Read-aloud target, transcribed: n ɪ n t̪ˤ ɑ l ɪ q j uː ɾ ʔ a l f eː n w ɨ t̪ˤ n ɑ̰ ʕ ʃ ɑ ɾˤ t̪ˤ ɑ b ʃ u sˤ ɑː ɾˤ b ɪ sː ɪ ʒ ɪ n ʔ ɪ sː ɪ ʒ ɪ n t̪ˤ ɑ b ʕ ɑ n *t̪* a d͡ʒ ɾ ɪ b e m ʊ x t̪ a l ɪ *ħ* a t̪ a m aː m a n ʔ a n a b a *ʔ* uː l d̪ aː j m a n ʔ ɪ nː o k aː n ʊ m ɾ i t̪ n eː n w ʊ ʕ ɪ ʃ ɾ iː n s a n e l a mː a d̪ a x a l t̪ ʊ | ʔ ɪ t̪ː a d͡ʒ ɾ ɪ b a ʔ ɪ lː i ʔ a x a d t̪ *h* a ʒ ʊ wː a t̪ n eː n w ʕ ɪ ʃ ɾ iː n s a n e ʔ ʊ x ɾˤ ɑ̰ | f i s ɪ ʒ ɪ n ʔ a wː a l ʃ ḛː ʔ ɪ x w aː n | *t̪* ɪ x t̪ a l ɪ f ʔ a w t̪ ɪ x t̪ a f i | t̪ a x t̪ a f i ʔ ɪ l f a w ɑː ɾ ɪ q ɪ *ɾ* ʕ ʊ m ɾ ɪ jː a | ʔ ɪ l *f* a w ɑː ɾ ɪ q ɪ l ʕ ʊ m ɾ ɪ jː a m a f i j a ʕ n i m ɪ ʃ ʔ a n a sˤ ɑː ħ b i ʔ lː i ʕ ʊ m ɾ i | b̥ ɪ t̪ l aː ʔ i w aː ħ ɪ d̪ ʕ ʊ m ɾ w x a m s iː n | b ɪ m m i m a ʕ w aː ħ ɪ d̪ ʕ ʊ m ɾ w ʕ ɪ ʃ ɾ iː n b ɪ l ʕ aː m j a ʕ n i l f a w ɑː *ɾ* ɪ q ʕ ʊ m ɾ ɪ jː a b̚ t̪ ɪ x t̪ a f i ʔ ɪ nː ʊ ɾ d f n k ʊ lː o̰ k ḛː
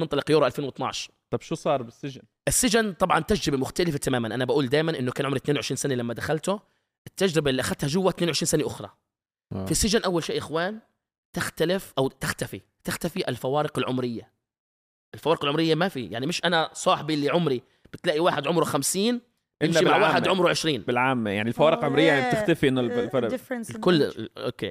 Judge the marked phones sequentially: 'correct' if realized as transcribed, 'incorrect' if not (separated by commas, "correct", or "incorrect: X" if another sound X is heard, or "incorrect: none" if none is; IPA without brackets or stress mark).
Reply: correct, incorrect: f, correct, correct, correct, incorrect: l, correct, correct